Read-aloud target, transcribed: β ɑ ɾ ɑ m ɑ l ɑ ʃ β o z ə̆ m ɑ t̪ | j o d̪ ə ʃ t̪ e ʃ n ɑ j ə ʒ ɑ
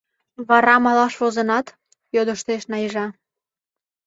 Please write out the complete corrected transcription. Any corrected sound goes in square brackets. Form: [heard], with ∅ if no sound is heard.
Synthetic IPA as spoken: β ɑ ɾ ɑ m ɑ l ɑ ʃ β o z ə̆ [n] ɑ t̪ | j o d̪ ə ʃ t̪ e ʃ n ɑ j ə ʒ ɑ

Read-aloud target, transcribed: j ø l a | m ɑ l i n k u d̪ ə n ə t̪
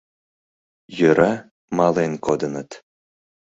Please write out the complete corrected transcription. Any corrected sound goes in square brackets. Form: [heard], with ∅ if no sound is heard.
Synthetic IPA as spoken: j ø [ɾ] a | m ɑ l [e] n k [o] d̪ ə n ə t̪

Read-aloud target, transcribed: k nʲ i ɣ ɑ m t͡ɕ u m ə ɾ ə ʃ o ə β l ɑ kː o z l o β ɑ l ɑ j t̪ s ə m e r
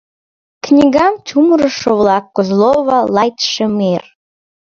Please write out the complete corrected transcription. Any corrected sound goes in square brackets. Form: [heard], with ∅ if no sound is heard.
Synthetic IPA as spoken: k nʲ i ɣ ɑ m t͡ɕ u m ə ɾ ə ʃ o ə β l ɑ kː o z l o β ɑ l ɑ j t̪ [ʃ] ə m e r

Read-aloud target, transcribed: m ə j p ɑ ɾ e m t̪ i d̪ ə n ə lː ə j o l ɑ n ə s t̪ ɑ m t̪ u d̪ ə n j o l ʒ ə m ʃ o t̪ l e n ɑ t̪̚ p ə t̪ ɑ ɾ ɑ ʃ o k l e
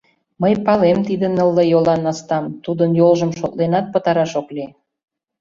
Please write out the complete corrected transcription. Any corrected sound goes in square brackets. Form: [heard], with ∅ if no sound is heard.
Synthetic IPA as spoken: m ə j p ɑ [l] e m t̪ i d̪ ə n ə lː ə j o l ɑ n [ɑ] s t̪ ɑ m t̪ u d̪ ə n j o l ʒ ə m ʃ o t̪ l e n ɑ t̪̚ p ə t̪ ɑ ɾ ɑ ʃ o k l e

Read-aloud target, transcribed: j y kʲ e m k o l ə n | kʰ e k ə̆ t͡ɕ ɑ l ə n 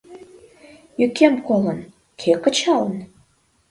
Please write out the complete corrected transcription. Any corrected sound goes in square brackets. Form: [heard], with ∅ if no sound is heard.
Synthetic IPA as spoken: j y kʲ e m k o l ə n | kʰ e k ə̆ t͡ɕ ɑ l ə n

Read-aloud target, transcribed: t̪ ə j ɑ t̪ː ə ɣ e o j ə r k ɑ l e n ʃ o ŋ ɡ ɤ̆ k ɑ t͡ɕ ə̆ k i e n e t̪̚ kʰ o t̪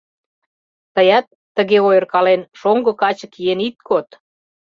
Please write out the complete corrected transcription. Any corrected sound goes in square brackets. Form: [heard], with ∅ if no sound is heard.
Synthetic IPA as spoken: t̪ ə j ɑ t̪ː ə ɣ e o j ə r k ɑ l e n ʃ o ŋ ɡ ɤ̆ k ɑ t͡ɕ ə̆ k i e n [i] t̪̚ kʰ o t̪

